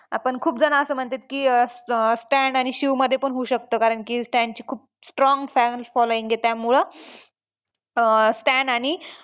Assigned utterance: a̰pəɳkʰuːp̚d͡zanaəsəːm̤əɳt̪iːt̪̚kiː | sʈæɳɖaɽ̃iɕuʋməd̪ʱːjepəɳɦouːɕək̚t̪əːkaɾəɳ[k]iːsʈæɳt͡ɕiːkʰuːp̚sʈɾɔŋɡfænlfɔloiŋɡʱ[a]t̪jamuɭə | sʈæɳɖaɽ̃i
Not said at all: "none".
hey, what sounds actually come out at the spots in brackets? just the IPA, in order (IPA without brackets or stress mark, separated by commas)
k, e